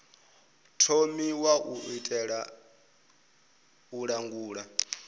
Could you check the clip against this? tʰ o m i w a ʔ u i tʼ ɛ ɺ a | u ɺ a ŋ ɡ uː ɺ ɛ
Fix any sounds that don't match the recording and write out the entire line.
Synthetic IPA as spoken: tʰ o m i w a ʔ u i tʼ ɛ ɺ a | u ɺ a ŋ ɡ uː ɺ a